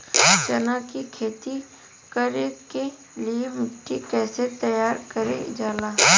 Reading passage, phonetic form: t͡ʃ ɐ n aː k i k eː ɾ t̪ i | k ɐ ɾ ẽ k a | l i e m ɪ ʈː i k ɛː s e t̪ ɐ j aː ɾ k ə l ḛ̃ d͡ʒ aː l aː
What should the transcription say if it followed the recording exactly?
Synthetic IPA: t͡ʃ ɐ n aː k i kʰ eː t̪ i | k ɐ ɾ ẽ k e | l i e m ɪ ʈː i k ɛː s e t̪ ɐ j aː ɾ k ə ɾ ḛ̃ d͡ʒ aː l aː